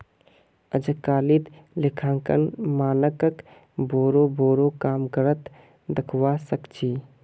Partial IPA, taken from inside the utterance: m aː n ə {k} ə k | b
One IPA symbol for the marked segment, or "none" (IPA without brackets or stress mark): k